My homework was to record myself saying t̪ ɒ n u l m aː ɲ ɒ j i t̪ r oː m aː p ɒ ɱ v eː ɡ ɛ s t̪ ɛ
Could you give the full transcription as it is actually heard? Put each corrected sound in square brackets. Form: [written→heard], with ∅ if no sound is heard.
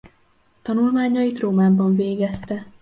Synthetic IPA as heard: t̪ ɒ n u l m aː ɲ ɒ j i t̪ r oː m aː [p→b] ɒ ɱ v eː ɡ ɛ s t̪ ɛ